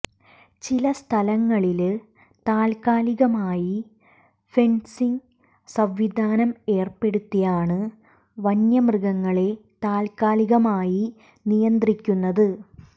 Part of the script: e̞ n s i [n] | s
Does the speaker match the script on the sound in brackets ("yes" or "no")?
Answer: no